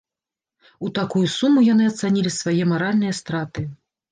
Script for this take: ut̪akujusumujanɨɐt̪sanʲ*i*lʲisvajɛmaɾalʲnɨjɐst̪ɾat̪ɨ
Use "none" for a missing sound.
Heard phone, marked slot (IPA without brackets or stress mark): i